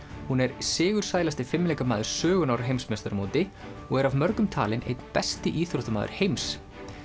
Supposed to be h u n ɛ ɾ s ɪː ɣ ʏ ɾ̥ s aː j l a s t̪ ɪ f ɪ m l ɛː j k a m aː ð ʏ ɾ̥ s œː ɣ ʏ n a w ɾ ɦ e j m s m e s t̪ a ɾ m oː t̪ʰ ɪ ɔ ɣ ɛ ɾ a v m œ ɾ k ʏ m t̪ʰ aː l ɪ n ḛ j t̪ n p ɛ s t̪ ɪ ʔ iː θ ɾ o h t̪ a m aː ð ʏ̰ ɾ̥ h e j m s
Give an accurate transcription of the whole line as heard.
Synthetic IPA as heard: h u n ɛ ɾ s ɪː ɣ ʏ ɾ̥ s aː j l a s t̪ ɪ f ɪ m l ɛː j k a m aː ð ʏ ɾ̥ s œː ɣ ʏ n a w ɾ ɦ e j m s m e s t̪ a ɾ m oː t̪ ɪ ɔ ɣ ɛ ɾ a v m œ ɾ k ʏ m t̪ʰ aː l ɪ n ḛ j t̪ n p ɛ s t̪ ɪ ʔ iː θ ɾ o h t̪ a m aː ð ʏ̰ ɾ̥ h e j m s